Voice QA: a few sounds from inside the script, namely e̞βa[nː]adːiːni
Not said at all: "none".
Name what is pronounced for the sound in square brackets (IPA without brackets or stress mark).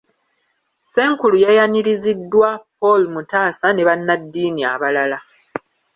nː